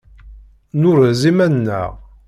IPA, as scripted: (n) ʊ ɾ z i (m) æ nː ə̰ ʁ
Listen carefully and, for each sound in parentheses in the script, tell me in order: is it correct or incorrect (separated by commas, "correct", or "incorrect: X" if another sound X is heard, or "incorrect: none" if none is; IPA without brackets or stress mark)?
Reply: correct, correct